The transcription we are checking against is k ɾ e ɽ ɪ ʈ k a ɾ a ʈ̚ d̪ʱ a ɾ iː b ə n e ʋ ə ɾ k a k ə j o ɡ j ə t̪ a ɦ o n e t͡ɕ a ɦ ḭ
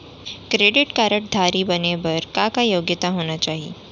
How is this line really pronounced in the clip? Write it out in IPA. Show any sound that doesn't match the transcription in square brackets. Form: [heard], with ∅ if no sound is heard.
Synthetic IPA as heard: k ɾ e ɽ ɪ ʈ k a ɾ [ə] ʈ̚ d̪ʱ a ɾ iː b ə n e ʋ ə ɾ k a k [a] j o ɡ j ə t̪ a ɦ o n [a] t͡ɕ a ɦ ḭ